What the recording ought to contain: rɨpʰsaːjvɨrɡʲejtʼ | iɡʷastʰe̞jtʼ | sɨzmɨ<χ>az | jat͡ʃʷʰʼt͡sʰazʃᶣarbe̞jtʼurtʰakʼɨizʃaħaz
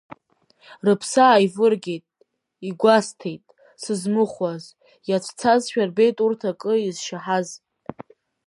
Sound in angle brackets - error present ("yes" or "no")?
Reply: no